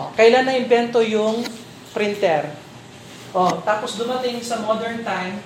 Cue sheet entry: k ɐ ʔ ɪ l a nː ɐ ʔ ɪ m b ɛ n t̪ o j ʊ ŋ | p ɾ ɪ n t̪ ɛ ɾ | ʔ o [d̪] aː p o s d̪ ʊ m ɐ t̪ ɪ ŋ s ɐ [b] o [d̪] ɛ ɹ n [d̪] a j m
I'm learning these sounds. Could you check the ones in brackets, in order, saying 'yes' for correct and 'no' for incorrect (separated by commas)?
no, no, yes, no